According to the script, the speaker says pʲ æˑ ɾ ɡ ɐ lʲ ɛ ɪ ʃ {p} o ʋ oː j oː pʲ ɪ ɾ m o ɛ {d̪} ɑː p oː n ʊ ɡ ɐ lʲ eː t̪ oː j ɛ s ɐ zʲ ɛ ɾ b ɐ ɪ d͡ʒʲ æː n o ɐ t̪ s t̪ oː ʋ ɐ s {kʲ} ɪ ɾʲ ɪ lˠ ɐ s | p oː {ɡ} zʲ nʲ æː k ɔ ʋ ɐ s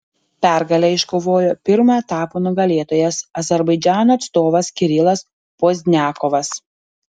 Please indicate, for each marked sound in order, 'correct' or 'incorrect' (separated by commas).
incorrect, incorrect, correct, incorrect